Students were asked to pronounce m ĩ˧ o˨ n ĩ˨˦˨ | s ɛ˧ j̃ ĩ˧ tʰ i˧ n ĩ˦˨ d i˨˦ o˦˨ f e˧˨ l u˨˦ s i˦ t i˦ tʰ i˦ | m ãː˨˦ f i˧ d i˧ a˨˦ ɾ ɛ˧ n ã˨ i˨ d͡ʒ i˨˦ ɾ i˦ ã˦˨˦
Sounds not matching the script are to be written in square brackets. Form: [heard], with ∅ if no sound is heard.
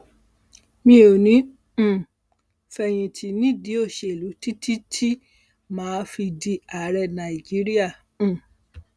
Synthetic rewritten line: m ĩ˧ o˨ n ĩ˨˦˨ | [f] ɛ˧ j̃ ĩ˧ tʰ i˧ n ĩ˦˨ d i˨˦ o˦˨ [ʃ] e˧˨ l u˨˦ [t] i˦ t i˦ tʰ i˦ | m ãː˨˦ f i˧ d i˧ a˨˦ ɾ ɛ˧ n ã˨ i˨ d͡ʒ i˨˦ ɾ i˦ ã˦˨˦